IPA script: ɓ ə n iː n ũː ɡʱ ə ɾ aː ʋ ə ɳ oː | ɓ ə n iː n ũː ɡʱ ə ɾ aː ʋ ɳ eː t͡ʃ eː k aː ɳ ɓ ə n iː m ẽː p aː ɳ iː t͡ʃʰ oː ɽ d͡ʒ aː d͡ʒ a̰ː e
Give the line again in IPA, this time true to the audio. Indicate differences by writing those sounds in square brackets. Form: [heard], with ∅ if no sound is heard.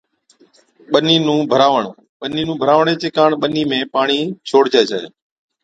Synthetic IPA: ɓ ə n iː n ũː [bʱ] ə ɾ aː ʋ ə ɳ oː | ɓ ə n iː n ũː [bʱ] ə ɾ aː ʋ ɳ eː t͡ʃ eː k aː ɳ ɓ ə n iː m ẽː p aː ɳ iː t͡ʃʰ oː ɽ d͡ʒ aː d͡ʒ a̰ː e